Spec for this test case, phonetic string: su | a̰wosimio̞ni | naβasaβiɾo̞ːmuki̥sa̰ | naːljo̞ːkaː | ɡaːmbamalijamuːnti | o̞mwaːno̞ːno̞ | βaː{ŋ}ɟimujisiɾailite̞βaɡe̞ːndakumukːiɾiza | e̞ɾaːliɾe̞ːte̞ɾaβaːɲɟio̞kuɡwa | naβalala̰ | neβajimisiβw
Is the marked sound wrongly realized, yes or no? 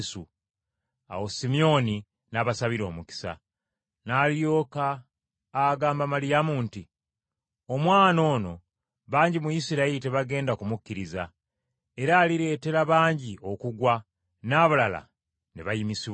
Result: yes